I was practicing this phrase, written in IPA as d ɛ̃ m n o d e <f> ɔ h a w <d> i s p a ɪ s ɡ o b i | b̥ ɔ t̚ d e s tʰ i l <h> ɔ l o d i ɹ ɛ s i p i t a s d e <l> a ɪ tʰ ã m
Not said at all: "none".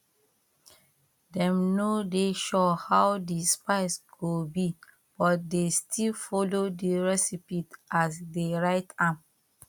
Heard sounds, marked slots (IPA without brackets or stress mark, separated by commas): ʃ, d, f, ɹ